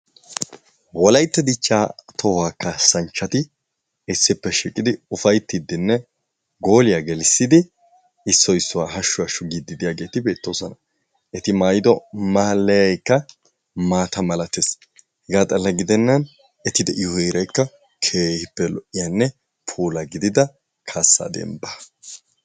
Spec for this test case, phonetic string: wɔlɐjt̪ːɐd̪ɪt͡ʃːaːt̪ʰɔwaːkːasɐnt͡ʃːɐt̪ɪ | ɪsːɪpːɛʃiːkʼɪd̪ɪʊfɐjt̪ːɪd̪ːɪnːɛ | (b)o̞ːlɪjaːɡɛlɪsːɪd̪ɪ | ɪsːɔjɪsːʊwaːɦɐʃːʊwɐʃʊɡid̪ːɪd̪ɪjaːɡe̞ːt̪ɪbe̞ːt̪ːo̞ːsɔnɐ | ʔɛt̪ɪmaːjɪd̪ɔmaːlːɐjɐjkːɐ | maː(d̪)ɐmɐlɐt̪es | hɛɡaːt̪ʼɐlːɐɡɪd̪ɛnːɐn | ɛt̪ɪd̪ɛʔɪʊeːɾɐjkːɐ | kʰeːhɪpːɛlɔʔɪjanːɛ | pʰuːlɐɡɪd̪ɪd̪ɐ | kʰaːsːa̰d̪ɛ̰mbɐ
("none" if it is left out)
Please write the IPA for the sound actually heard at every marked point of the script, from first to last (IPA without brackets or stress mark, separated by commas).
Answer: ɡ, t̪